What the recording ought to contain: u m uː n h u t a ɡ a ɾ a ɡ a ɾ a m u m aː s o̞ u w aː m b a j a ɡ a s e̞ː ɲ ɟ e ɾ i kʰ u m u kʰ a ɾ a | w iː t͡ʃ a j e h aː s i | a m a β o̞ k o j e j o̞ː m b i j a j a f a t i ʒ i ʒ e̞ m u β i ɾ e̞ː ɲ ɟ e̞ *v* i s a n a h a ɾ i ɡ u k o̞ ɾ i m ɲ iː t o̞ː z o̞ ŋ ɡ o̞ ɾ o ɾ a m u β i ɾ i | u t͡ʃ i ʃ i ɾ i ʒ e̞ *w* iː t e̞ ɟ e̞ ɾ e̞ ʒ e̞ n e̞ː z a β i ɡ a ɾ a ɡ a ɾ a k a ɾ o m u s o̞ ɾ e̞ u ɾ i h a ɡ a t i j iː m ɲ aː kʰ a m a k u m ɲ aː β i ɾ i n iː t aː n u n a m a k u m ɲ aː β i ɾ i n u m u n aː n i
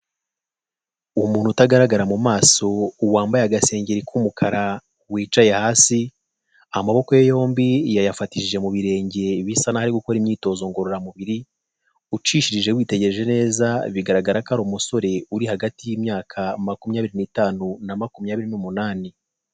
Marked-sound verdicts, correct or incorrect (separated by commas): incorrect, correct